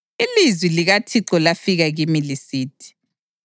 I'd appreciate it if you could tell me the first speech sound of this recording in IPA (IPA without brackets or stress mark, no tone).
i